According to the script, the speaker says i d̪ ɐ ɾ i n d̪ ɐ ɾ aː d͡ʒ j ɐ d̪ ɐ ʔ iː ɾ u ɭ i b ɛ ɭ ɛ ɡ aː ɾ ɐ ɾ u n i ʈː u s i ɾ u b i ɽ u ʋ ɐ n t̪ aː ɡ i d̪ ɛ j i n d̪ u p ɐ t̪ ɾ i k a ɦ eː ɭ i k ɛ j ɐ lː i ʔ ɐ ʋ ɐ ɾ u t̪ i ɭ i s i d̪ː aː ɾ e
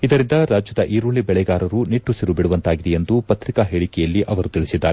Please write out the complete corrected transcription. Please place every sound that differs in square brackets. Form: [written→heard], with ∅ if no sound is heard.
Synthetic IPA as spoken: i d̪ ɐ ɾ i n d̪ ɐ ɾ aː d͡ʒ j ɐ d̪ ɐ ʔ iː ɾ u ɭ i b ɛ ɭ ɛ ɡ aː ɾ ɐ ɾ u n i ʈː u s i ɾ u b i ɽ u ʋ ɐ n t̪ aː ɡ i d̪ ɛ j [i→e] n d̪ u p ɐ t̪ ɾ i k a ɦ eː ɭ i k ɛ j ɐ lː i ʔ ɐ ʋ ɐ ɾ u t̪ i ɭ i s i d̪ː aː ɾ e

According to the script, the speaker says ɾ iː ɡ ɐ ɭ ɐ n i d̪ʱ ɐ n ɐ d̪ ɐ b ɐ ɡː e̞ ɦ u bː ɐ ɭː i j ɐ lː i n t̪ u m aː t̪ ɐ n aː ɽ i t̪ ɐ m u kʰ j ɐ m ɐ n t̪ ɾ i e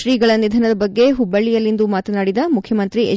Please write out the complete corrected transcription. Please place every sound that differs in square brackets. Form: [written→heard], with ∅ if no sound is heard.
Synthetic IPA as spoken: ɾ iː ɡ ɐ ɭ ɐ n i d̪ʱ ɐ n ɐ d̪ ɐ b ɐ ɡː e̞ ɦ u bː ɐ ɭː i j ɐ lː i n [t̪→d̪] u m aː t̪ ɐ n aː ɽ i [t̪→d̪] ɐ m u kʰ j ɐ m ɐ n t̪ ɾ i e

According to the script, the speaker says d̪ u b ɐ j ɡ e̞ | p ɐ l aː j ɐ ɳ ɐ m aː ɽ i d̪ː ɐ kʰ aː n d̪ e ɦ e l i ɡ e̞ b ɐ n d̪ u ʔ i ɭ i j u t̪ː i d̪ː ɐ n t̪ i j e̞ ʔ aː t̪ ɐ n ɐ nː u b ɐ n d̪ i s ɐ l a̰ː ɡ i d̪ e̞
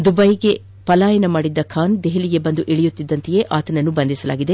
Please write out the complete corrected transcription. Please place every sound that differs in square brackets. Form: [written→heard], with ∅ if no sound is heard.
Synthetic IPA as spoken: d̪ u b ɐ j ɡ e̞ | p ɐ l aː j ɐ [ɳ→n] ɐ m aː ɽ i d̪ː ɐ kʰ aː n d̪ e ɦ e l i ɡ e̞ b ɐ n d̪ u ʔ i ɭ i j u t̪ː i d̪ː ɐ n t̪ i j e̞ ʔ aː t̪ ɐ n ɐ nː u b ɐ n d̪ i s ɐ l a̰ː ɡ i d̪ e̞

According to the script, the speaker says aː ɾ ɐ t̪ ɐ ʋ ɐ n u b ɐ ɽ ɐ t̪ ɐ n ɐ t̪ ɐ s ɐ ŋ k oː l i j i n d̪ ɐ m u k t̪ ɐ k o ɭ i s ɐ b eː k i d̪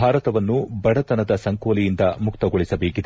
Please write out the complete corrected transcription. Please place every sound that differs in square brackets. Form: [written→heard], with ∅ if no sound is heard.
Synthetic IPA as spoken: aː ɾ ɐ t̪ ɐ ʋ ɐ [n→nː] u b ɐ ɽ ɐ t̪ ɐ n ɐ [t̪→d̪] ɐ s ɐ ŋ k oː l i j i n d̪ ɐ m u k t̪ ɐ [k→ɡ] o ɭ i s ɐ b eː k i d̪

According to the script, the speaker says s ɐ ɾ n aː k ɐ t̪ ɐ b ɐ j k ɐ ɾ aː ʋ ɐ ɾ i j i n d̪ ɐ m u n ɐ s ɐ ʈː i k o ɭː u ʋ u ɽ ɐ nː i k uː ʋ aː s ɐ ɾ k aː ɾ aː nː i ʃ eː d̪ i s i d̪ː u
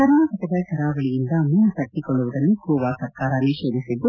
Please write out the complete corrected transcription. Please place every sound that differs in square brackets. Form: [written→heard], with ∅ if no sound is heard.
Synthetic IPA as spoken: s ɐ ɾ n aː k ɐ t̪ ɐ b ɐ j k ɐ ɾ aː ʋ ɐ [ɾ→ɭ] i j i n d̪ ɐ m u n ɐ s ɐ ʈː i k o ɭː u ʋ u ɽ ɐ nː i k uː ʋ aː s ɐ ɾ k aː ɾ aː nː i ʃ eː d̪ i s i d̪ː u

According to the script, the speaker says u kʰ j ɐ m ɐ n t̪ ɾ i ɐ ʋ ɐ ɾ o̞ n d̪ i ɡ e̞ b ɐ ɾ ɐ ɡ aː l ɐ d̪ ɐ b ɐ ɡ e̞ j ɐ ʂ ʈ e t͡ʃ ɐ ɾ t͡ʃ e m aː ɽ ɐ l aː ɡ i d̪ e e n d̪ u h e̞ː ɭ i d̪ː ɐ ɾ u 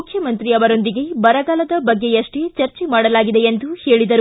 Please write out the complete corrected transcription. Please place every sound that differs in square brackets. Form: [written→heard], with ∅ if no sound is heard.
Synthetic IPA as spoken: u kʰ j ɐ m ɐ n t̪ ɾ i ɐ ʋ ɐ ɾ o̞ n d̪ i ɡ e̞ b ɐ ɾ ɐ ɡ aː l ɐ d̪ ɐ b ɐ [ɡ→ɡː] e̞ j ɐ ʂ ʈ e t͡ʃ ɐ ɾ t͡ʃ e m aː ɽ ɐ l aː ɡ i d̪ e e n d̪ u h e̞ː ɭ i [d̪ː→d̪] ɐ ɾ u

